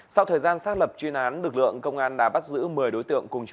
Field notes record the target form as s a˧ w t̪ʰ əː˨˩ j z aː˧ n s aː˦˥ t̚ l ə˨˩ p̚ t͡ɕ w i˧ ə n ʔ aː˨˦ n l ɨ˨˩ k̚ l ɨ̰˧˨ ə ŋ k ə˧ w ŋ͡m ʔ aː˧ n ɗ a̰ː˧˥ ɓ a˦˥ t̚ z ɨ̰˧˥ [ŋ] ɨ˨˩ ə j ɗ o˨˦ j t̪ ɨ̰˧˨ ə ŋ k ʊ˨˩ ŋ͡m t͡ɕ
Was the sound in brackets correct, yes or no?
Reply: no